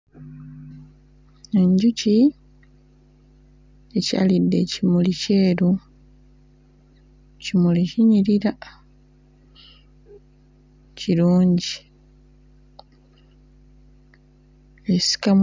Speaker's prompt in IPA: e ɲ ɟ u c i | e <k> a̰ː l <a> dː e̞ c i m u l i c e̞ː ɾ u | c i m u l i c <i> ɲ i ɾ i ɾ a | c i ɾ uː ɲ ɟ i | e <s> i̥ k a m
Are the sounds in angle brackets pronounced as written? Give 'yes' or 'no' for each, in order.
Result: no, no, yes, yes

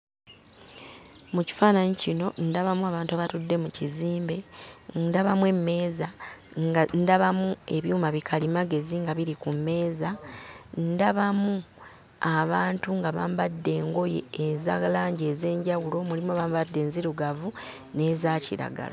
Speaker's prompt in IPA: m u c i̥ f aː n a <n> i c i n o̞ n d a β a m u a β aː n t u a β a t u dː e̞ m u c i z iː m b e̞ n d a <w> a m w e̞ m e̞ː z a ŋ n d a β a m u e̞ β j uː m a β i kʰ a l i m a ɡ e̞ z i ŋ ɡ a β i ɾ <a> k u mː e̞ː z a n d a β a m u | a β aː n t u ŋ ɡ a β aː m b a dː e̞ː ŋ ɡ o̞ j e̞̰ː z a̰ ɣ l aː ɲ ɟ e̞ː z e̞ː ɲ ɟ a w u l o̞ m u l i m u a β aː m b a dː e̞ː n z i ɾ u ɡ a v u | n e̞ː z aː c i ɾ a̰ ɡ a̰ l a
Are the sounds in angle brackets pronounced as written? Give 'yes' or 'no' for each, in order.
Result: no, no, no

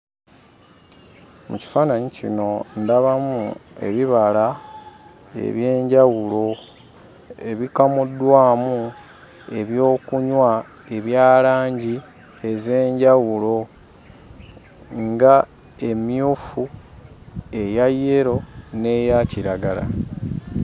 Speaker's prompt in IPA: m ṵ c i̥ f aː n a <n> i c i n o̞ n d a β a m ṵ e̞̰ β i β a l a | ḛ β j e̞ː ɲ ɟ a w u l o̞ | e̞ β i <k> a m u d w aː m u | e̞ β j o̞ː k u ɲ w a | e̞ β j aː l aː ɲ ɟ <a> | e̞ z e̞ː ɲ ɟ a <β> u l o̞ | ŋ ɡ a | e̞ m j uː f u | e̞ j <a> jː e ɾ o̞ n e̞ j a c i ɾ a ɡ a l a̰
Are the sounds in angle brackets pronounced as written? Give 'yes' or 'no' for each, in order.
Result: no, yes, no, no, yes

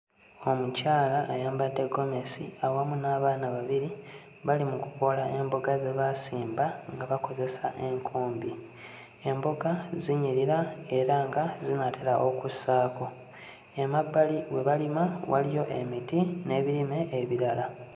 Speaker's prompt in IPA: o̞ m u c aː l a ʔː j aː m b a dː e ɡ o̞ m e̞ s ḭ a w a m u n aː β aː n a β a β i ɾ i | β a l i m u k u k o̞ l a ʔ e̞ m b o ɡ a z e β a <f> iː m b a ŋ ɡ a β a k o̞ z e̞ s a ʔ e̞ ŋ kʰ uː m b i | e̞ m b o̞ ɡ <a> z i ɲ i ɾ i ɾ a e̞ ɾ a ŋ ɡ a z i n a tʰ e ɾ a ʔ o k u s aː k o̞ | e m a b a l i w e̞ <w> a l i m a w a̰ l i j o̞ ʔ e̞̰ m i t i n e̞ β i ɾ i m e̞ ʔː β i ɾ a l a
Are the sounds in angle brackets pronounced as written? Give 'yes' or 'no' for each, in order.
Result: no, yes, no

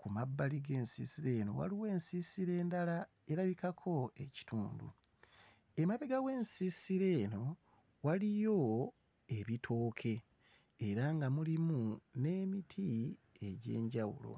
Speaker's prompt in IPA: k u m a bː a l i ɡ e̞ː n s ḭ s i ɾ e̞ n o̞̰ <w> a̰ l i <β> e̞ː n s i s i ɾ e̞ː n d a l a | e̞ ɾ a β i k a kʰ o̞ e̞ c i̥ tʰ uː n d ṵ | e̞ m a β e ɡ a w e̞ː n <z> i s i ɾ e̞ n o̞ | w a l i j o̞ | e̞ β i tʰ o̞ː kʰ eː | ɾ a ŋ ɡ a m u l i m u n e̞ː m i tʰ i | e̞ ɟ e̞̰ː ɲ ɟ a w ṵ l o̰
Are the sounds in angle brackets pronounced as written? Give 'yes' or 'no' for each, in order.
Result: yes, no, no

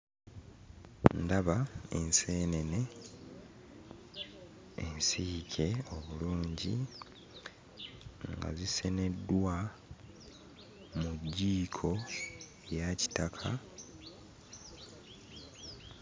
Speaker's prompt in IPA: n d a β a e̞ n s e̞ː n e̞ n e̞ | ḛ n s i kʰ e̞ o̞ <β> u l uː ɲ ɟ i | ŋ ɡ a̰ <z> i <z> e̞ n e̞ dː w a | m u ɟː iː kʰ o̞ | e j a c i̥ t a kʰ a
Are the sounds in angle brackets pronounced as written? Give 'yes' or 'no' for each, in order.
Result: yes, yes, no

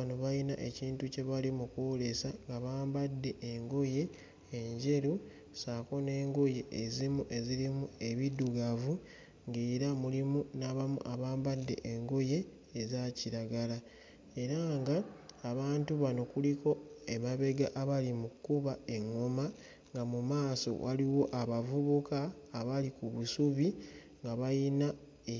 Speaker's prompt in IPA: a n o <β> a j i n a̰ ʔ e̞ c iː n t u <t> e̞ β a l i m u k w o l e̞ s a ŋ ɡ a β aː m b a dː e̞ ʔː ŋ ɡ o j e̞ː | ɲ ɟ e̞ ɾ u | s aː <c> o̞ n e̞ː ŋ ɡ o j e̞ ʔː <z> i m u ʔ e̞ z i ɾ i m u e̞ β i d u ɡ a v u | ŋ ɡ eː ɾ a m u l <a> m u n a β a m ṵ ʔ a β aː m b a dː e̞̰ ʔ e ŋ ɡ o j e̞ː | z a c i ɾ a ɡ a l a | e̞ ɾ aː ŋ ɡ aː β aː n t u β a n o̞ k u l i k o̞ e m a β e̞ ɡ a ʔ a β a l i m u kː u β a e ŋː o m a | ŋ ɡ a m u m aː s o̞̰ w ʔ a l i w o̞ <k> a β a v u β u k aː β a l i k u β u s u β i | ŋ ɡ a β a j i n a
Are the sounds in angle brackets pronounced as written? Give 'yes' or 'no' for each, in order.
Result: yes, no, no, yes, no, no

